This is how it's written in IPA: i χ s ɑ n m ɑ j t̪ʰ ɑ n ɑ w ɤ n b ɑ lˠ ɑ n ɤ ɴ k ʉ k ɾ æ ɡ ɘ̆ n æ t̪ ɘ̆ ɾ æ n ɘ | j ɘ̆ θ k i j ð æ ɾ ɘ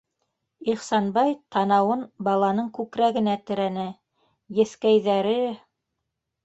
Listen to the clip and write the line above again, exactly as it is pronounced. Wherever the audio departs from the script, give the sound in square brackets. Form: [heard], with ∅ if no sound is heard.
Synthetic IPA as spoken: i χ s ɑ n [b] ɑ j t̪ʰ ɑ n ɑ w ɤ n b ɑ lˠ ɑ n ɤ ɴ k ʉ k ɾ æ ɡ ɘ̆ n æ t̪ ɘ̆ ɾ æ n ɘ | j ɘ̆ θ k [æ] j ð æ ɾ ɘ